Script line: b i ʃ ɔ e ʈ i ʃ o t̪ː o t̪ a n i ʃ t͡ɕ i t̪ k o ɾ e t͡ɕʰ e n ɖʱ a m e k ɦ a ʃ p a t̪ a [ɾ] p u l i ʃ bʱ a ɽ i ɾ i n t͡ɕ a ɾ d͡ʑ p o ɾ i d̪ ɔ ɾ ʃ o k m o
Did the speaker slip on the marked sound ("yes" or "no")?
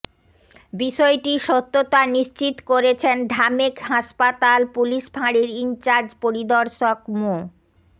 yes